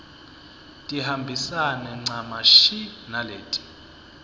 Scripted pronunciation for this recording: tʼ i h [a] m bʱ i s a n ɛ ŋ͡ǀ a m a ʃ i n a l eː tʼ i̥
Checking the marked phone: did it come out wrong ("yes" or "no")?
no